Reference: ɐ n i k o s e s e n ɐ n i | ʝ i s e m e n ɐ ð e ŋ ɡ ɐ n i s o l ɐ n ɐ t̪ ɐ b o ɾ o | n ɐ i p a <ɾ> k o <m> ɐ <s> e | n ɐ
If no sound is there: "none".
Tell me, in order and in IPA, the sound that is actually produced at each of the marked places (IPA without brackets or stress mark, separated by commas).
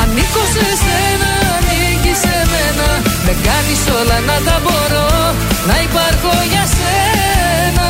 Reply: ɾ, ɲ, s